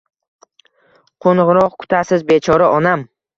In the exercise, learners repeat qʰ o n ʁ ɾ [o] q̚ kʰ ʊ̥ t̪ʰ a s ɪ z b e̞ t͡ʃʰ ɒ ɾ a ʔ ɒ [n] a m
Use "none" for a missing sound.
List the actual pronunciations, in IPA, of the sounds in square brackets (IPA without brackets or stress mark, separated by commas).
ɒ, n